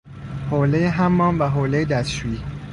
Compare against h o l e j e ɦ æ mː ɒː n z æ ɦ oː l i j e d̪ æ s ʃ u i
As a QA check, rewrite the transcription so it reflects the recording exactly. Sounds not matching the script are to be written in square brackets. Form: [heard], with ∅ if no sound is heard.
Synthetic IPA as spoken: h o l e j e ɦ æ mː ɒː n [v] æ ɦ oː l [e] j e d̪ æ s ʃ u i